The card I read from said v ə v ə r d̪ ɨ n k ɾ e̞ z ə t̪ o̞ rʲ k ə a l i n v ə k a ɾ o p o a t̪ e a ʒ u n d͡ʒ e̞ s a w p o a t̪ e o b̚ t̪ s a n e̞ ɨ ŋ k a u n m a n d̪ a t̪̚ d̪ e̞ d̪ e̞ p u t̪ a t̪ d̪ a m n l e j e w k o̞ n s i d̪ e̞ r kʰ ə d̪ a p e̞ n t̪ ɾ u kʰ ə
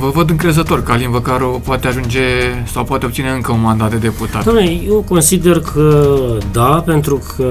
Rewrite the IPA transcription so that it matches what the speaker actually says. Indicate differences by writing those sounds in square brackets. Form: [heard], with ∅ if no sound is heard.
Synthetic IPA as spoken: v ə v ə [∅] d̪ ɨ [ŋ] k ɾ e̞ z ə t̪ o̞ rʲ k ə a l i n v ə k a ɾ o p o a t̪ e a ʒ u n d͡ʒ e̞ s a w p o a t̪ e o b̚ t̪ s [i] n e̞ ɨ ŋ k [ə] u n m a n d̪ a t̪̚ d̪ e̞ d̪ e̞ p u t̪ a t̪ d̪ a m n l e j e w k o̞ n s i d̪ e̞ r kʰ ə d̪ a p e̞ n t̪ ɾ u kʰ ə